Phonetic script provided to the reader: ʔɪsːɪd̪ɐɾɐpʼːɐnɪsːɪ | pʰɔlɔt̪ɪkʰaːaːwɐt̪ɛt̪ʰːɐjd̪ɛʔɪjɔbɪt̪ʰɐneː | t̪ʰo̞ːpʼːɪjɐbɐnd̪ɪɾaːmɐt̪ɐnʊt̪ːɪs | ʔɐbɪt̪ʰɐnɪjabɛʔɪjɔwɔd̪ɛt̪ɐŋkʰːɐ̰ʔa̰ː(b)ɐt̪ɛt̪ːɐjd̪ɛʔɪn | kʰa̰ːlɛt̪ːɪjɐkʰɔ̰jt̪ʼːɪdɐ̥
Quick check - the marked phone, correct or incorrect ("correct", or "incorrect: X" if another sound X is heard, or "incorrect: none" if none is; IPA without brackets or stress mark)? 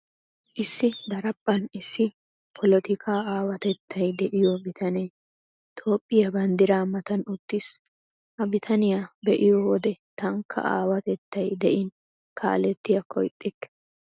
incorrect: w